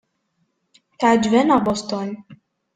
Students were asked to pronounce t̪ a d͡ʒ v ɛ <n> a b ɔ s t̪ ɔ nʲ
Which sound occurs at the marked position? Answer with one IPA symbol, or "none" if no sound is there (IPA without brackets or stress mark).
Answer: n